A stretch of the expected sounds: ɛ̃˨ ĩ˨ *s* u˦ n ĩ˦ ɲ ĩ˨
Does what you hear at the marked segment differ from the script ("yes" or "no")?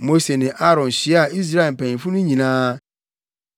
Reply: yes